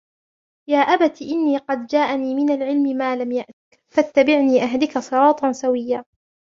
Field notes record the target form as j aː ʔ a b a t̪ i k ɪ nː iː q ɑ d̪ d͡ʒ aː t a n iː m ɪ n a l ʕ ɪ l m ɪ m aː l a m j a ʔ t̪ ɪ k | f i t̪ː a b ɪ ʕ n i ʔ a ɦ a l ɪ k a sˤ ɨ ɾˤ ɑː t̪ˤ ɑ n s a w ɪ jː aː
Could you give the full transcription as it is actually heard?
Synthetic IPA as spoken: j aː ʔ a b a t̪ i ʔ ɪ nː iː q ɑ d̪ d͡ʒ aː ʔ a n iː m ɪ n a l ʕ ɪ l m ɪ m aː l a m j a ʔ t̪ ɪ k | f a t̪ː a b ɪ ʕ n iː ʔ a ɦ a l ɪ k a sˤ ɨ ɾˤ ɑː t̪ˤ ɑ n s a w ɪ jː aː